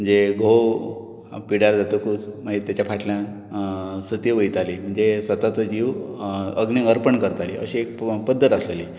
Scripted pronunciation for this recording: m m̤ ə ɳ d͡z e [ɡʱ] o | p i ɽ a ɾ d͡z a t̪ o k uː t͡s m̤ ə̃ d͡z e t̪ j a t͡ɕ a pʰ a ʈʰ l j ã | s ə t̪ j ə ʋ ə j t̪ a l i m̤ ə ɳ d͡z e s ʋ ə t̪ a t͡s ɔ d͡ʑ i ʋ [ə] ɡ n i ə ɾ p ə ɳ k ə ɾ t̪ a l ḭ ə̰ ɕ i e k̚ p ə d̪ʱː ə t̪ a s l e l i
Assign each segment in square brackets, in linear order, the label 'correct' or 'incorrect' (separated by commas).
correct, correct